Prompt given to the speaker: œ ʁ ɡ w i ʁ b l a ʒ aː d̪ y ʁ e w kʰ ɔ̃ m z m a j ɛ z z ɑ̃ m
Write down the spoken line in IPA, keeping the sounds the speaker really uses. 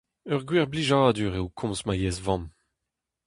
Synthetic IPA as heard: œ ʁ ɡ w i ʁ b l i ʒ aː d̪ y ʁ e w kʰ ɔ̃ m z m a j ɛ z v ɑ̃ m